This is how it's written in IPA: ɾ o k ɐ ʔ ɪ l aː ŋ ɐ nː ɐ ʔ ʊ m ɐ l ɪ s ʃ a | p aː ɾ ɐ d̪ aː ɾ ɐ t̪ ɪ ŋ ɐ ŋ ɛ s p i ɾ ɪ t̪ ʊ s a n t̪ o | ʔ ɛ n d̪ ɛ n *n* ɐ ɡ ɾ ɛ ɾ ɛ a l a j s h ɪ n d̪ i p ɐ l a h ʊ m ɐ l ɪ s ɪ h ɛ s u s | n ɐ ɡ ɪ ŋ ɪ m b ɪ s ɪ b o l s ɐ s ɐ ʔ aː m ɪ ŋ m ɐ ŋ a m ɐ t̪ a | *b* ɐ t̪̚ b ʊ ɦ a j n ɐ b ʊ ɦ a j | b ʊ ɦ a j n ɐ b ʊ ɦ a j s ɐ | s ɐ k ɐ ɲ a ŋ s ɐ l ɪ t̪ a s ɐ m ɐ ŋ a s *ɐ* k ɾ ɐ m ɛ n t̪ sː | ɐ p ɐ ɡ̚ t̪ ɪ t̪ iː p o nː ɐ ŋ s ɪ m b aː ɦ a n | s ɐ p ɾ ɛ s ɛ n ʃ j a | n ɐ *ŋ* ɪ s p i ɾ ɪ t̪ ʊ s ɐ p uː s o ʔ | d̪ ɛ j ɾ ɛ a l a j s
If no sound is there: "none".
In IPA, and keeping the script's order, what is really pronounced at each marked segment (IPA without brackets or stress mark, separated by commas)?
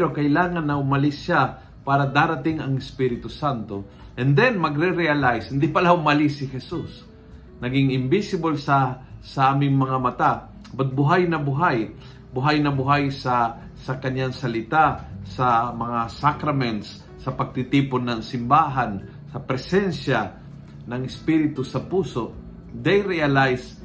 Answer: m, b, a, ŋ